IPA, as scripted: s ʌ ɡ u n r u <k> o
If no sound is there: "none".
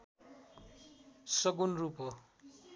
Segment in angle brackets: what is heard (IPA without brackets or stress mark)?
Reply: p